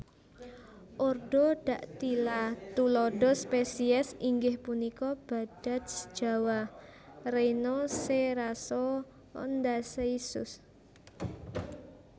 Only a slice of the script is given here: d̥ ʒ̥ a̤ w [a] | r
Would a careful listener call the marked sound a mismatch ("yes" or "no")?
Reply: no